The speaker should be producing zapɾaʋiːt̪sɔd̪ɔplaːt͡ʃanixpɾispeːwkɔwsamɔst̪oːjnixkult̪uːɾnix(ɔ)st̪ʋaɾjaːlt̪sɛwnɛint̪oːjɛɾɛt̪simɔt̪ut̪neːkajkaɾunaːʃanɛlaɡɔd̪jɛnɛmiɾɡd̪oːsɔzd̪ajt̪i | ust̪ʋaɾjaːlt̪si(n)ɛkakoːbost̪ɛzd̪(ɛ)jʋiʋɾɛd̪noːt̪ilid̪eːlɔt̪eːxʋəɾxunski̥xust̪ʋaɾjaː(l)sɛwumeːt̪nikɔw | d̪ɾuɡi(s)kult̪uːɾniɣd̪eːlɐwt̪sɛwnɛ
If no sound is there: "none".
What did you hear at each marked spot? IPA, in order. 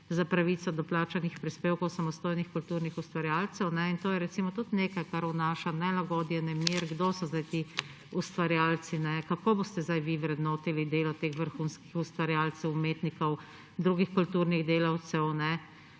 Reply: u, n, a, l, x

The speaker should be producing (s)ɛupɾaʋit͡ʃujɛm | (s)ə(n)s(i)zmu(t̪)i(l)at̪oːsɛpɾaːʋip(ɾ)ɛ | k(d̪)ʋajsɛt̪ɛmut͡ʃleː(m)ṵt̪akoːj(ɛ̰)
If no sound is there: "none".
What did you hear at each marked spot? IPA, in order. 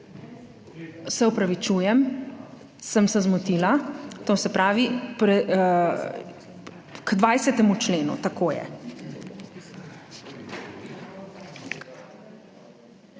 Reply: s, s, m, ɛ, t̪, l, ɾ, d̪, n, ɛ̰

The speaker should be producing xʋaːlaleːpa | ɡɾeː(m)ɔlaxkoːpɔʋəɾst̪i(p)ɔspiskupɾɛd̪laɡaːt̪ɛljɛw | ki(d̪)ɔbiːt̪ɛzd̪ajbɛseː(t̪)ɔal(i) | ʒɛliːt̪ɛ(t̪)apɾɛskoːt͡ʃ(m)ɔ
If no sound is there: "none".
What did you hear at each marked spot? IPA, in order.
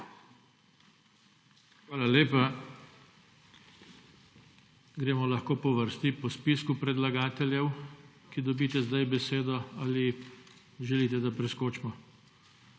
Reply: m, p, d̪, d̪, i, d̪, m

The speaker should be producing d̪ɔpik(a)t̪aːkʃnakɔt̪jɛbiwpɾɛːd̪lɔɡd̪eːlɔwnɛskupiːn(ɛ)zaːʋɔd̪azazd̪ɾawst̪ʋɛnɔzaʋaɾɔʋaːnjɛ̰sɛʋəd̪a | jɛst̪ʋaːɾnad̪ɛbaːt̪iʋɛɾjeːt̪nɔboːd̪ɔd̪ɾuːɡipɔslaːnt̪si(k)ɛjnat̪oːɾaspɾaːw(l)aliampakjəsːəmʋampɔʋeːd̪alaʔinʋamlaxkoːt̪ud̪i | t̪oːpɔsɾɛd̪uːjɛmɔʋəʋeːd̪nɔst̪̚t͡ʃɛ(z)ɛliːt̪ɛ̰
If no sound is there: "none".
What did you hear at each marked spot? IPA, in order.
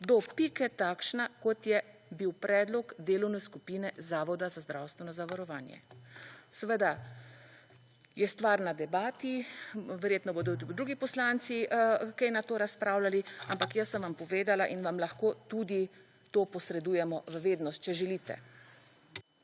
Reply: ɛ, ɛ, k, l, ʒ

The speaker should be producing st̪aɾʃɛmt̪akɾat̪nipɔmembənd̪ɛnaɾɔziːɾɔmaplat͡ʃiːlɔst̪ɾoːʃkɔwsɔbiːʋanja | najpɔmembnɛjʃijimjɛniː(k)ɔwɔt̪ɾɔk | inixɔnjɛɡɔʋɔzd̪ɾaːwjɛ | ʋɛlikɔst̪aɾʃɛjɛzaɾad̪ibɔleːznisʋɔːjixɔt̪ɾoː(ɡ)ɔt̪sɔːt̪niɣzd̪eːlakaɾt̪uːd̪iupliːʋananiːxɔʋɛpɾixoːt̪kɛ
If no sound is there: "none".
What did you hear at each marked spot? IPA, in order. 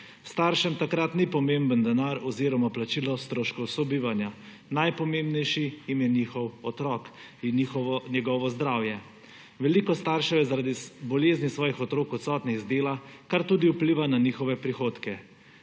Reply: x, k

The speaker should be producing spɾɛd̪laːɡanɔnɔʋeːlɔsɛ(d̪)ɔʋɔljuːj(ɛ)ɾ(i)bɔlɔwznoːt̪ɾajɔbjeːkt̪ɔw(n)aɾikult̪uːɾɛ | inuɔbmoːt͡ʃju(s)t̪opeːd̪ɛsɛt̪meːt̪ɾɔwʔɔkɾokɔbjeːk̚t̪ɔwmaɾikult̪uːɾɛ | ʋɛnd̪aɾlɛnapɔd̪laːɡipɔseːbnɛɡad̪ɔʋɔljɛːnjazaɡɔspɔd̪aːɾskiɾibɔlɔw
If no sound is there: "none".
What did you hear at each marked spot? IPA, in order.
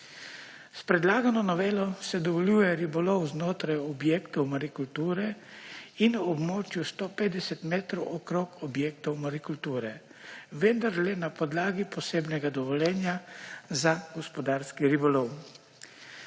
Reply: d̪, ɛ, i, m, s

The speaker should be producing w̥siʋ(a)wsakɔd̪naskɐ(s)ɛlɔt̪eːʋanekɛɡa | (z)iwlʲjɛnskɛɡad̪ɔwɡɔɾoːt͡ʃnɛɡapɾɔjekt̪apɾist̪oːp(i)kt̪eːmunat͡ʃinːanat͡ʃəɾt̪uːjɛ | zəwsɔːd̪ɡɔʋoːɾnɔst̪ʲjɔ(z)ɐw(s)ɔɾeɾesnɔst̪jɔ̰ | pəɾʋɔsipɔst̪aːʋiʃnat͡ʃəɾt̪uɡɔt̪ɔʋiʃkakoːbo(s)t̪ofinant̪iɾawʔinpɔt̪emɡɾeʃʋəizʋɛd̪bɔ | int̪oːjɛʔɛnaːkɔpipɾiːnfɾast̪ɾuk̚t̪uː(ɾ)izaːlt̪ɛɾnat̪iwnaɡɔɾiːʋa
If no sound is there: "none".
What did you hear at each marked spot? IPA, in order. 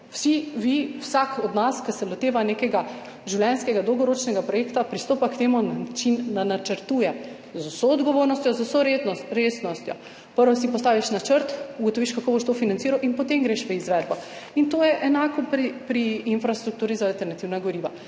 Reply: i, s, ʒ, a, z, s, ʃ, ɾ

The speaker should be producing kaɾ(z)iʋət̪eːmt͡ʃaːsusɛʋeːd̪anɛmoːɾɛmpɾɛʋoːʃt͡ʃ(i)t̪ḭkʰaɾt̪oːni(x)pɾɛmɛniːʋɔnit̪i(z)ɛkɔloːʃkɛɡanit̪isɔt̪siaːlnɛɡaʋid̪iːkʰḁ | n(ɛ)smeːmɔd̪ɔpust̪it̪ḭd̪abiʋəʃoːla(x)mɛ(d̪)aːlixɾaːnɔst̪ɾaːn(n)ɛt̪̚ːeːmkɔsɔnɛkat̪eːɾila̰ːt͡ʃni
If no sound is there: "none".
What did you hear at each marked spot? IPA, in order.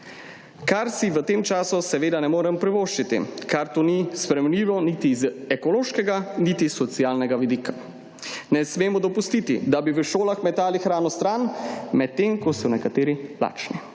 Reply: s, i, s, z, ɛ, x, t̪, m

